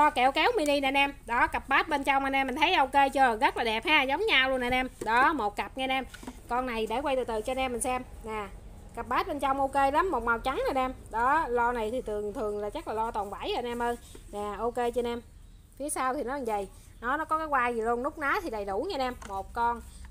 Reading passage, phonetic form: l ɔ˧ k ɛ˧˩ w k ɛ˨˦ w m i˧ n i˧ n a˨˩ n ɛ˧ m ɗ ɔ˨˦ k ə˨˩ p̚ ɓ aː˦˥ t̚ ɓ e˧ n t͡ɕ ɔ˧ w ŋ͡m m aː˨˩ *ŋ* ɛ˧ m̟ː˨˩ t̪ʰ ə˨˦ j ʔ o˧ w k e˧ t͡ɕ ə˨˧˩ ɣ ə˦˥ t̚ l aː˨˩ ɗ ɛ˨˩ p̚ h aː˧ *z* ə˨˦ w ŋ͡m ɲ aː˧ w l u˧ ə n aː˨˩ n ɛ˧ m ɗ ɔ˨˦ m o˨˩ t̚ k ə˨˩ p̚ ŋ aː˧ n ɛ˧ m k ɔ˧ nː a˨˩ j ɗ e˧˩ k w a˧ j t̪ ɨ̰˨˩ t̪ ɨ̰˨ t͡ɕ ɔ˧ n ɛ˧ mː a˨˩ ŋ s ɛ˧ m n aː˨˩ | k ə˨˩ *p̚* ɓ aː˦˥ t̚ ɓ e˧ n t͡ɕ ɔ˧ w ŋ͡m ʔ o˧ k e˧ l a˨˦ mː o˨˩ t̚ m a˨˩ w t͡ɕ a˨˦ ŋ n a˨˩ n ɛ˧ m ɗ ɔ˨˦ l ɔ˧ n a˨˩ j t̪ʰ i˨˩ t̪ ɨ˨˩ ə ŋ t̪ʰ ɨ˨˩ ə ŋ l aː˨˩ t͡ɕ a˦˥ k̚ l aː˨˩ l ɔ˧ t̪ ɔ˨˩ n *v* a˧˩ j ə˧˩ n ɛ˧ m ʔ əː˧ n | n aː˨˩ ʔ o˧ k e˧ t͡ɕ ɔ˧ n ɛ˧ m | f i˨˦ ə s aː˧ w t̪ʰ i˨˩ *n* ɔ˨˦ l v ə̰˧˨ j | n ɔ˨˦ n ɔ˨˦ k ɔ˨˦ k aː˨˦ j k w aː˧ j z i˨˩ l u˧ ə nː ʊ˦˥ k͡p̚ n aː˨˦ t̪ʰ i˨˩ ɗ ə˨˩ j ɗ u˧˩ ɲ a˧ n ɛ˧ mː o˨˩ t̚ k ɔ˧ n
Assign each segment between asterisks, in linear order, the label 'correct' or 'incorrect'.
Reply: incorrect: n, correct, correct, correct, correct

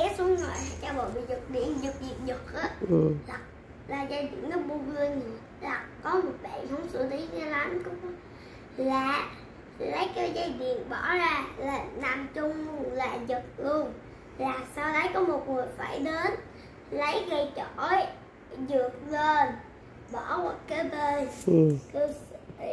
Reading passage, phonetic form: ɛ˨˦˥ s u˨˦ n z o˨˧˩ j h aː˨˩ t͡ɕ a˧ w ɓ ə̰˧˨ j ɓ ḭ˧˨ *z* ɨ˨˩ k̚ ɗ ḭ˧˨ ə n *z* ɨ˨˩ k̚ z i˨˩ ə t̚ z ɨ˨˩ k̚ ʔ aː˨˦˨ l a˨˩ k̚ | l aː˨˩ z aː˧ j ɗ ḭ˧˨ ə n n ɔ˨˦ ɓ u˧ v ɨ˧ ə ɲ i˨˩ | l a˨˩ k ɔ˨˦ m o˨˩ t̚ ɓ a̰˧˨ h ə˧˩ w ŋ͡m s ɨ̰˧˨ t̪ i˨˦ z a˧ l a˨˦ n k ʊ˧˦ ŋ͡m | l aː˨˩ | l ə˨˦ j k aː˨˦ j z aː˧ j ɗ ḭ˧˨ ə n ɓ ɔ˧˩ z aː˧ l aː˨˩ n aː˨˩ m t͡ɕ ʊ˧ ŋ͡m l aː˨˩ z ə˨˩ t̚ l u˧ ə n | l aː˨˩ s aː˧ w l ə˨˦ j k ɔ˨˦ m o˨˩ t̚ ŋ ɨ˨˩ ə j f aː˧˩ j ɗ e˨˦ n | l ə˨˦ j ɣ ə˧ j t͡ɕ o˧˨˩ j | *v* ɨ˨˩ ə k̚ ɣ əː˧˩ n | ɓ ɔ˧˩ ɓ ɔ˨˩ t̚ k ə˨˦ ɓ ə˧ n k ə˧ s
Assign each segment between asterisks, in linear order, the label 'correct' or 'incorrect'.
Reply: correct, correct, incorrect: z

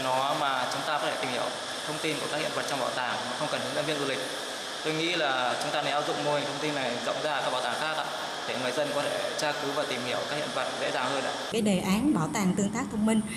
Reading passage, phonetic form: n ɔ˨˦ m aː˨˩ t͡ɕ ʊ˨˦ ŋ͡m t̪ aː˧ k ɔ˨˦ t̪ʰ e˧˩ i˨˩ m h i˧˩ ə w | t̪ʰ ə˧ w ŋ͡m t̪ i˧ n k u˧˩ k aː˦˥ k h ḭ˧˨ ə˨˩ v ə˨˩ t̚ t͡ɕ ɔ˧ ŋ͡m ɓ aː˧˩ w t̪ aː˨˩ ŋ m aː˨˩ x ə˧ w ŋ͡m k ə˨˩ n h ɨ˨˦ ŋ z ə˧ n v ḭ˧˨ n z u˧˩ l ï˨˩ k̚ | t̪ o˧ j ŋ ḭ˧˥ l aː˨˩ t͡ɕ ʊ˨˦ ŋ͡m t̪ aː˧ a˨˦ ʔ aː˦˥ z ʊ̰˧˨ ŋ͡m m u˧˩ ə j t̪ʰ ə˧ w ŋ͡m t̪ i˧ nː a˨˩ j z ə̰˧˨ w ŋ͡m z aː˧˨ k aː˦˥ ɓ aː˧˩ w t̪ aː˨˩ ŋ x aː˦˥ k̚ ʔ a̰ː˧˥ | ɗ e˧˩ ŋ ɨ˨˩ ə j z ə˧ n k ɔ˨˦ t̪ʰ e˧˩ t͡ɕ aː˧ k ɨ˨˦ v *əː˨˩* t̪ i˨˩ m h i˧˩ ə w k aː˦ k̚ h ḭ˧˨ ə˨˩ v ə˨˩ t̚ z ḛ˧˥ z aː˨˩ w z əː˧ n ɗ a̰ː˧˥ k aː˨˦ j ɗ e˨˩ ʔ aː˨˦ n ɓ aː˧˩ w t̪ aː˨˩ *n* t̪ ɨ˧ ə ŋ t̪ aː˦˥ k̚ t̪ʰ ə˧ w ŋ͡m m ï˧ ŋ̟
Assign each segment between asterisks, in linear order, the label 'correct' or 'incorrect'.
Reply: incorrect: aː˨˩, incorrect: ŋ

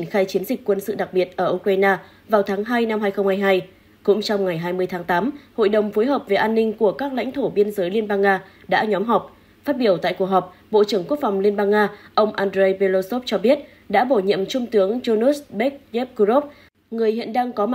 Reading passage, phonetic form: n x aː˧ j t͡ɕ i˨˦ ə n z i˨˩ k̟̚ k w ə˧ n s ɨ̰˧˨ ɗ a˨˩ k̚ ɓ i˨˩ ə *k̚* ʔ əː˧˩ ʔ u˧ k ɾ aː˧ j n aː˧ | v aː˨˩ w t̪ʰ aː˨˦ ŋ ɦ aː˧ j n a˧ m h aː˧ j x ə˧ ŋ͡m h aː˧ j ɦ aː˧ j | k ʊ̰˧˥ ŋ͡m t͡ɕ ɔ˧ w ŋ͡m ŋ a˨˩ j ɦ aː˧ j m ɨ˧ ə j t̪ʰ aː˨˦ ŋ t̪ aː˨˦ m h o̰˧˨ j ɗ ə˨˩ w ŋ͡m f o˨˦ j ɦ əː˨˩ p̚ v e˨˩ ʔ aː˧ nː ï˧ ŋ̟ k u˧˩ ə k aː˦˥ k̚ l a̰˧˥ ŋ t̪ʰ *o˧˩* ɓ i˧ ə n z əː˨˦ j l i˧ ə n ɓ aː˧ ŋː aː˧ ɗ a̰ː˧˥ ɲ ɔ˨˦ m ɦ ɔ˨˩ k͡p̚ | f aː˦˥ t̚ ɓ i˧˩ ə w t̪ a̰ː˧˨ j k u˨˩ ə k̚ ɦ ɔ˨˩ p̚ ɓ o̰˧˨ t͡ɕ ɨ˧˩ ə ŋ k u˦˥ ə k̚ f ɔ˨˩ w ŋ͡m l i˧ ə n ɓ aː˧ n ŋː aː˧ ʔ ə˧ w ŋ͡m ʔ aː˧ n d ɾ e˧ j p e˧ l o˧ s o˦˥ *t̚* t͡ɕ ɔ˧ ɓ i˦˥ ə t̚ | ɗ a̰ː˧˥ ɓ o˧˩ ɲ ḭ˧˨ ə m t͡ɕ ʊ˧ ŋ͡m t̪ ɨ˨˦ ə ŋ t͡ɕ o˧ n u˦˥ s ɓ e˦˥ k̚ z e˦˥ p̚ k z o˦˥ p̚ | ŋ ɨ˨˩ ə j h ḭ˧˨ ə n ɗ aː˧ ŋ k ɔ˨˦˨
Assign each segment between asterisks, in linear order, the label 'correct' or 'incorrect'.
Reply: incorrect: t̚, correct, incorrect: p̚

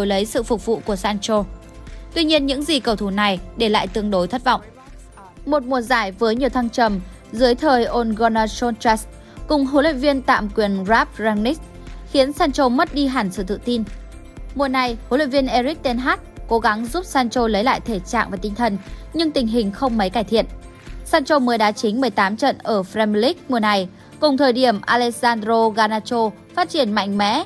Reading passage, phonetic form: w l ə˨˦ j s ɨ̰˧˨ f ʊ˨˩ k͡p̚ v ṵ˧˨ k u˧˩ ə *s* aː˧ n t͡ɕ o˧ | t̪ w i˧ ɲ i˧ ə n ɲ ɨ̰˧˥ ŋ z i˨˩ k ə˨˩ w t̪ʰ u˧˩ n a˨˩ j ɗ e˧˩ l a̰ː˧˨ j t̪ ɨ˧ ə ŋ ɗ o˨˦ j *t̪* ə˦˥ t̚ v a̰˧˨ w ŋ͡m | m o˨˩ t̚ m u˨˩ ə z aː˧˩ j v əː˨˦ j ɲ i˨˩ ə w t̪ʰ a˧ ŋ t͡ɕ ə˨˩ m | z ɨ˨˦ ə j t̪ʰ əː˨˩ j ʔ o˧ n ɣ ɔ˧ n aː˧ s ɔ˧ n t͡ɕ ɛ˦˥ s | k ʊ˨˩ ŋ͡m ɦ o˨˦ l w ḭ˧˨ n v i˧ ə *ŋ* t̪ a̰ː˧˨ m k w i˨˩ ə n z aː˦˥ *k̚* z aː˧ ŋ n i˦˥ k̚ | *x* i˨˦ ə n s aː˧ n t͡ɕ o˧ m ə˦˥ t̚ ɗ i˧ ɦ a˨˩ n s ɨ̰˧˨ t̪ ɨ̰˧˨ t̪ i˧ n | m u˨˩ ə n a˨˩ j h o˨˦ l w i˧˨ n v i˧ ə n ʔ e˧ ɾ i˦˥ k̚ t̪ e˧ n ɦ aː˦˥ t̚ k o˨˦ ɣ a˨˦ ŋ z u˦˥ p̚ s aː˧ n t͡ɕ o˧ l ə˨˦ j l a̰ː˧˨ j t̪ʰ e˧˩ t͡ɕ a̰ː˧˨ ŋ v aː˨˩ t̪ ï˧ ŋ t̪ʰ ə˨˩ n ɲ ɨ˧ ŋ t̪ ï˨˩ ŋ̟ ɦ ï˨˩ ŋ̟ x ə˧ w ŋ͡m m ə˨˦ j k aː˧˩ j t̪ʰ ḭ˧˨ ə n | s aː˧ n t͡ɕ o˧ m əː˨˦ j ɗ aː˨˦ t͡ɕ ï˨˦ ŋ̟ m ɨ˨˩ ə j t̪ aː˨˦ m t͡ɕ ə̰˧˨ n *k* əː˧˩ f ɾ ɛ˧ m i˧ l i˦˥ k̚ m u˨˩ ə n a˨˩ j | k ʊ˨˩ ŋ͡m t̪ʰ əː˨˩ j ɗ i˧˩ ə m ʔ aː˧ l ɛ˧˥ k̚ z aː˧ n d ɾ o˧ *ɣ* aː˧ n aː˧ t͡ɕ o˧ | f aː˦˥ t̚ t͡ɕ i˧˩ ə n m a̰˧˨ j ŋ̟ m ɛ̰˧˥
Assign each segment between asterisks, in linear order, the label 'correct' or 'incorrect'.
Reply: correct, incorrect: t̪ʰ, incorrect: n, incorrect: p̚, correct, incorrect: ʔ, correct

